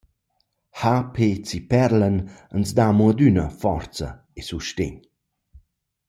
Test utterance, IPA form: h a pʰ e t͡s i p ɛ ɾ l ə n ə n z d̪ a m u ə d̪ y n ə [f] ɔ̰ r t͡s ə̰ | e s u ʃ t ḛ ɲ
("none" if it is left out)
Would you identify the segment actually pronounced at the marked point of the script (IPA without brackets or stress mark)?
f